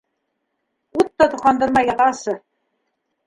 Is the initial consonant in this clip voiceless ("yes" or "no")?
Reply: yes